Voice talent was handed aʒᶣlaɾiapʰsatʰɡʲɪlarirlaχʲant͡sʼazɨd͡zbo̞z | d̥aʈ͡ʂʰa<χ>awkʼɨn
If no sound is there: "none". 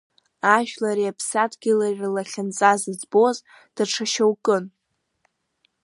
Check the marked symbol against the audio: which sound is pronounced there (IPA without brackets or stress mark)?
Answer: ʃ